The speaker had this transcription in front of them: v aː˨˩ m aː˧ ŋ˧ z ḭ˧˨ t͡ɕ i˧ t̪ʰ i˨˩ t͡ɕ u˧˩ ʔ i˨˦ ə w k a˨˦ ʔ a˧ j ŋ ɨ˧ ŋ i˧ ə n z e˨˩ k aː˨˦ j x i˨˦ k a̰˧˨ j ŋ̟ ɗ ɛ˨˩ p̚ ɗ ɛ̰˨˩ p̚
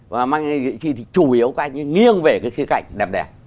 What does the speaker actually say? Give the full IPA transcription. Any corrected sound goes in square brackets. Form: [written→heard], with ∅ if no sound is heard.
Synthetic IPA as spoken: v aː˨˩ m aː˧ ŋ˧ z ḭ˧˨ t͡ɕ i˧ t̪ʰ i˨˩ t͡ɕ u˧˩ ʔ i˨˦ ə w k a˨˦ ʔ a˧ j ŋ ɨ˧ ŋ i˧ ə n [z→v] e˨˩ k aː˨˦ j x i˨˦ k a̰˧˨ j ŋ̟ ɗ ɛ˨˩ p̚ ɗ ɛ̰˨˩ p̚

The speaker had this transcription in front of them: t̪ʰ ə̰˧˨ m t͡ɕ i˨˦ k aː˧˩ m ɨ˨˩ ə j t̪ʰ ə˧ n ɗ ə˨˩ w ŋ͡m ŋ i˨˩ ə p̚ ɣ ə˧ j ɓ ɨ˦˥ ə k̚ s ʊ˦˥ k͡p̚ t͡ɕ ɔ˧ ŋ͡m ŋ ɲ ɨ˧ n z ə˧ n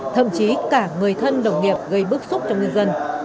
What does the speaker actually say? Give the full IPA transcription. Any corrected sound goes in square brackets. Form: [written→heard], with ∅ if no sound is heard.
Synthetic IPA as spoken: t̪ʰ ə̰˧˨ m t͡ɕ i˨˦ k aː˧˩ [m→ŋ] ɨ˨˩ ə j t̪ʰ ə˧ n ɗ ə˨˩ w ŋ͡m ŋ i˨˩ ə p̚ ɣ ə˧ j ɓ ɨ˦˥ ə k̚ s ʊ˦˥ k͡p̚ t͡ɕ ɔ˧ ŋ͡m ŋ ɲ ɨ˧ n z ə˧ n

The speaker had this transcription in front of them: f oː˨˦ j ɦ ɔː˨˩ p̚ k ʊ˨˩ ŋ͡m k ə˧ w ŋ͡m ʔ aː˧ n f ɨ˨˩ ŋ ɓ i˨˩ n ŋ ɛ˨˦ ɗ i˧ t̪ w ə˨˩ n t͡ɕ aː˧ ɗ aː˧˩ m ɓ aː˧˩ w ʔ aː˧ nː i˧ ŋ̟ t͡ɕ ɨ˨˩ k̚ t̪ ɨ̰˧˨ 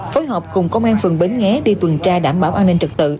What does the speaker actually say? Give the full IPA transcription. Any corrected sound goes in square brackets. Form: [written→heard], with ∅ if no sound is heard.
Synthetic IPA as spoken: f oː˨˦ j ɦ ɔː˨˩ p̚ k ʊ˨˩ ŋ͡m k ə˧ w ŋ͡m ʔ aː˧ n f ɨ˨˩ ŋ ɓ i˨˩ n ŋ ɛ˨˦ ɗ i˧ t̪ w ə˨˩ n t͡ɕ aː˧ ɗ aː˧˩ m ɓ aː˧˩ w ʔ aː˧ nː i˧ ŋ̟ t͡ɕ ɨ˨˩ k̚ t̪ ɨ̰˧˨

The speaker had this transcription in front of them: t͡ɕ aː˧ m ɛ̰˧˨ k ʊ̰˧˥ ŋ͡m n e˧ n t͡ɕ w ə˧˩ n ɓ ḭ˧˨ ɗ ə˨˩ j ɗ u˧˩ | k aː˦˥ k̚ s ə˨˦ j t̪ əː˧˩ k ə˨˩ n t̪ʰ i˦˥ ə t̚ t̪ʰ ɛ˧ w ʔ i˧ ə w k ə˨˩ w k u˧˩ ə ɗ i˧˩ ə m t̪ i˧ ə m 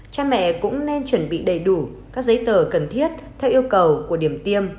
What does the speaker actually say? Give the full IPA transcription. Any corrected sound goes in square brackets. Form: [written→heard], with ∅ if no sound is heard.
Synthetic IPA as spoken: t͡ɕ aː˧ m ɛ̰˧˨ k ʊ̰˧˥ ŋ͡m n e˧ n t͡ɕ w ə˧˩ n ɓ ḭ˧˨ ɗ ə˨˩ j ɗ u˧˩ | k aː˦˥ k̚ [s→z] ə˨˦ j t̪ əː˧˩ k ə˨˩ n t̪ʰ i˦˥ ə t̚ t̪ʰ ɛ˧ w ʔ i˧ ə w k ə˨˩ w k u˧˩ ə ɗ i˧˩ ə m t̪ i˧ ə m

